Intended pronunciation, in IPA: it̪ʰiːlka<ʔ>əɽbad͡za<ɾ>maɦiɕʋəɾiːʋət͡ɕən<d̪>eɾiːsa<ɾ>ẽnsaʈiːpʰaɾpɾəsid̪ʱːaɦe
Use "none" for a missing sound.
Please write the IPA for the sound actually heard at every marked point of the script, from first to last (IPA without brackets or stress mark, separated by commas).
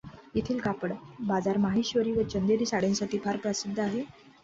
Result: p, ɾ, d̪, ɽ